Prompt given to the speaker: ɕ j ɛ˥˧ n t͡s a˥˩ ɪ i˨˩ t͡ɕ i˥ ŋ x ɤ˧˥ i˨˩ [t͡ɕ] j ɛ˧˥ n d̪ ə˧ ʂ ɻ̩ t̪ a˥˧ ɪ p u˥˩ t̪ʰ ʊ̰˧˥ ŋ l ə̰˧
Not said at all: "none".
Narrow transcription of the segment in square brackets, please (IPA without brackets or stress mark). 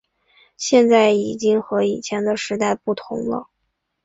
t͡ɕʰ